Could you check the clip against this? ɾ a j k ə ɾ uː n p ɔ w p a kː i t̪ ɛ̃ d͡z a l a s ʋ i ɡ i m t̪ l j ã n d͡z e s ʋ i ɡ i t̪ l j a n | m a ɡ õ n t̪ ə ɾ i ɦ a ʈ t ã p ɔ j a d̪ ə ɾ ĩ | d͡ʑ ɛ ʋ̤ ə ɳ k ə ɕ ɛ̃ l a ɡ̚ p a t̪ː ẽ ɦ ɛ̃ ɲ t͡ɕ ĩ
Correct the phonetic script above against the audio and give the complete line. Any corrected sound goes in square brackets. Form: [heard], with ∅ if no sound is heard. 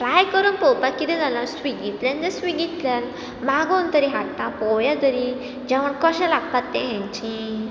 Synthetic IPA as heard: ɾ a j k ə ɾ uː n p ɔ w p a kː i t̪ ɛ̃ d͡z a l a s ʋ i ɡ i [∅] t̪ l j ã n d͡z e s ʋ i ɡ i t̪ l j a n | m a ɡ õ n t̪ ə ɾ i ɦ a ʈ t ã p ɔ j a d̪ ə ɾ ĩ | d͡ʑ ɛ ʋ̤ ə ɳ k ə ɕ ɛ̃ l a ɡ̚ p a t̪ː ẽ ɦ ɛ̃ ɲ t͡ɕ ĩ